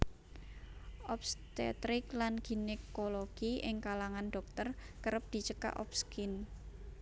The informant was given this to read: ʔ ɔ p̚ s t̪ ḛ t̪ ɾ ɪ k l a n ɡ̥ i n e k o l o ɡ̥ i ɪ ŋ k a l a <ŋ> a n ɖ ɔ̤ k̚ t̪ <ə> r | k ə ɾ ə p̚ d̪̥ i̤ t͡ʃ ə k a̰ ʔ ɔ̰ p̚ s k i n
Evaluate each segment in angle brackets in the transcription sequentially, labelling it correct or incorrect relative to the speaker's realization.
correct, correct

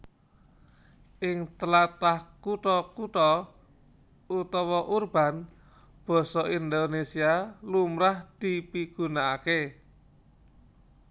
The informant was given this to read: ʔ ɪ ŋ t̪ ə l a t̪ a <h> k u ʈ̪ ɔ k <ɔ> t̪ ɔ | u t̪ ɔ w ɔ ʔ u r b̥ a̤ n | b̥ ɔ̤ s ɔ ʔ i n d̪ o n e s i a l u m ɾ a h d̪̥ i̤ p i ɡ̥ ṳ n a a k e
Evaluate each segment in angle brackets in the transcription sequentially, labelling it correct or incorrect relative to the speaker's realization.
correct, incorrect: u

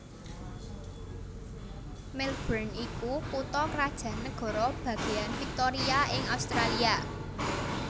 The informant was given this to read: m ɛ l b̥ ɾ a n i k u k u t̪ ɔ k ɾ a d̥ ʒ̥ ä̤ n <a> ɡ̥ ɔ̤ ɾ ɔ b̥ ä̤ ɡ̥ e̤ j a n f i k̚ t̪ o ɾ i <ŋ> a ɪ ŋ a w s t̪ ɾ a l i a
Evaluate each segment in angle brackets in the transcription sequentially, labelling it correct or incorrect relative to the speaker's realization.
incorrect: ə, incorrect: none

